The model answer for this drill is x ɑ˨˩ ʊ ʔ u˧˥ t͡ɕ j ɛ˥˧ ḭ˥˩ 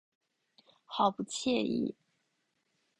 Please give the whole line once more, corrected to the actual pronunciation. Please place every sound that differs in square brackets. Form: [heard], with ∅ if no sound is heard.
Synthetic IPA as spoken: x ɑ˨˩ ʊ [p] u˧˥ [t͡ɕʰ] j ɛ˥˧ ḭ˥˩